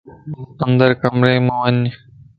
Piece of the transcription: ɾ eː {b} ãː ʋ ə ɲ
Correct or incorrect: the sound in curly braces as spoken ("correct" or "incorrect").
incorrect